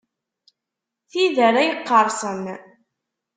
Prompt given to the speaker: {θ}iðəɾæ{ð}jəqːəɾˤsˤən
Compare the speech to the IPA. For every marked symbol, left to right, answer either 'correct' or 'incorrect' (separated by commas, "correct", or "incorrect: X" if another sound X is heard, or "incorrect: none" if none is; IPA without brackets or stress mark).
correct, incorrect: none